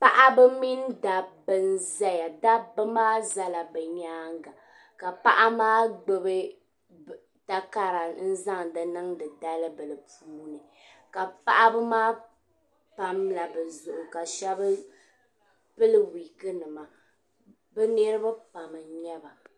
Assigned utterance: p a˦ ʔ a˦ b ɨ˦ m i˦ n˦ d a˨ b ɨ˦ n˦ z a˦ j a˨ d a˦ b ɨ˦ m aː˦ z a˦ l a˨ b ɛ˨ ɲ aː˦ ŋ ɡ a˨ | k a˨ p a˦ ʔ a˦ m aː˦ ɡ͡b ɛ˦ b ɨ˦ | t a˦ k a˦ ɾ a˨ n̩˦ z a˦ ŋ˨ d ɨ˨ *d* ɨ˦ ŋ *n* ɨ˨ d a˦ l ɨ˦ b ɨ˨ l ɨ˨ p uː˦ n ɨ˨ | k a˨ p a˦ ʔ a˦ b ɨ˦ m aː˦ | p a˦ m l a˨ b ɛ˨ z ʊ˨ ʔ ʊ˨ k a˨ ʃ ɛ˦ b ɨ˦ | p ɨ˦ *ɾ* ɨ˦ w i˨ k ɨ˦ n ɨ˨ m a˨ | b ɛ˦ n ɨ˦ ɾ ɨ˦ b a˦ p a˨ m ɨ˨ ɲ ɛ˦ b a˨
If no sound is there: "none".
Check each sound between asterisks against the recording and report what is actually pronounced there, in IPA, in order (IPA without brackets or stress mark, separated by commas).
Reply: n, d, l